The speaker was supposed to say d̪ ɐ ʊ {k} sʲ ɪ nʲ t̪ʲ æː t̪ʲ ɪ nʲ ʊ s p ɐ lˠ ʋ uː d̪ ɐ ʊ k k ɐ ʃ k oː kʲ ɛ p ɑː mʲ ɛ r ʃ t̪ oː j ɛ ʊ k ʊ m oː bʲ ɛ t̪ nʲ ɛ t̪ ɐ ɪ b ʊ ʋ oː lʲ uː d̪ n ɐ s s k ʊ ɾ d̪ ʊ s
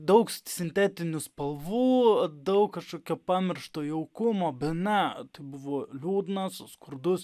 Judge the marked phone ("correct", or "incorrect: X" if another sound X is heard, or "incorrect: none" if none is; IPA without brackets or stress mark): correct